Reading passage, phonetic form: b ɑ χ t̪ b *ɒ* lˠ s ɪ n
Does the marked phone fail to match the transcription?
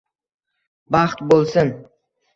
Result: yes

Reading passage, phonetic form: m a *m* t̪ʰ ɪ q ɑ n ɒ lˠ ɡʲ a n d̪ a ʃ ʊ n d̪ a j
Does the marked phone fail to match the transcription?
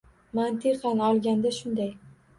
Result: yes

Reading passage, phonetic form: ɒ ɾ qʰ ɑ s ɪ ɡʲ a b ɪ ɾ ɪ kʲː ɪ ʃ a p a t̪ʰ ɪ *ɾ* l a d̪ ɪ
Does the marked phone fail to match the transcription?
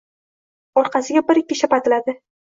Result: yes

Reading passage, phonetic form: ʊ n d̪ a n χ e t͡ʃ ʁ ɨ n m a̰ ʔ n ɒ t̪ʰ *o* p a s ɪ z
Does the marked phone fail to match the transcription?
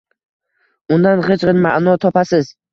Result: yes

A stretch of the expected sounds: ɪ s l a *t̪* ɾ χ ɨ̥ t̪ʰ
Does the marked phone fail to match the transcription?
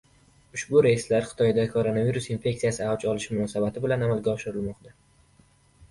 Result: yes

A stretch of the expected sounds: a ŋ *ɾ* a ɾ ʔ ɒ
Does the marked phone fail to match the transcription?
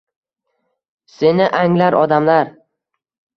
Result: yes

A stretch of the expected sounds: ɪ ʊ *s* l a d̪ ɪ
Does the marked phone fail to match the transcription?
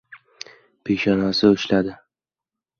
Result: yes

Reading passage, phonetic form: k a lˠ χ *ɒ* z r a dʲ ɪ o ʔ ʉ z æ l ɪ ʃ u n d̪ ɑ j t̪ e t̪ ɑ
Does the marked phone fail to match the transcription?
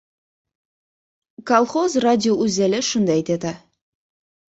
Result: yes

